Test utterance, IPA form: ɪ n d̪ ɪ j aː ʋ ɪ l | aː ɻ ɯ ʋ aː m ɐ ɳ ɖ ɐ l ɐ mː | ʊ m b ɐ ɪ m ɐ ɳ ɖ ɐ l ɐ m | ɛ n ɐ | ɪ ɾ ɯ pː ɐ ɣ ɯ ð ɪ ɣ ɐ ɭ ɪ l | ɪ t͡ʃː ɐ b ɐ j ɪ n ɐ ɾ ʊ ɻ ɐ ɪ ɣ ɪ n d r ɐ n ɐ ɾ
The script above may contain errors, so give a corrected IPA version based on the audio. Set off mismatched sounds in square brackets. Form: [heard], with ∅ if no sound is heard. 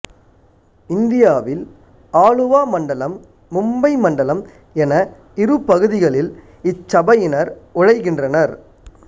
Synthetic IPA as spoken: ɪ n d̪ ɪ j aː ʋ ɪ l | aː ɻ ɯ ʋ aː m ɐ ɳ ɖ ɐ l ɐ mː | ʊ m b ɐ ɪ m ɐ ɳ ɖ ɐ l ɐ m | ɛ n ɐ | ɪ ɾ ɯ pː ɐ ɣ ɯ ð ɪ ɣ ɐ ɭ ɪ l | ɪ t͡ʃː ɐ b ɐ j ɪ n ɐ ɾ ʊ ɻ ɐ ɪ ɣ ɪ n d r ɐ n ɐ ɾ